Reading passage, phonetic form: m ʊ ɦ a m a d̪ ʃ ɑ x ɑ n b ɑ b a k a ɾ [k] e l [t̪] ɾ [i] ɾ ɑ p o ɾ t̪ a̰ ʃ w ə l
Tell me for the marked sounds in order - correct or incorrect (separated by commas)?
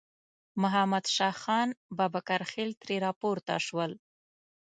incorrect, correct, incorrect